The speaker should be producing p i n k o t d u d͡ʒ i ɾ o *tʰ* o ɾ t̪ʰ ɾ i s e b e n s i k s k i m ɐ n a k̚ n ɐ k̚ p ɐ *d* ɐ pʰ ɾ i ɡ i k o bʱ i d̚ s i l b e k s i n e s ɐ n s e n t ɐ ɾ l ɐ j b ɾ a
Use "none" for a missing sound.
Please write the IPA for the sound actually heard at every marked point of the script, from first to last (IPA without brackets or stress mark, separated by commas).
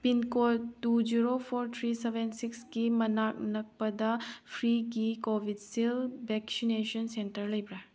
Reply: pʰ, d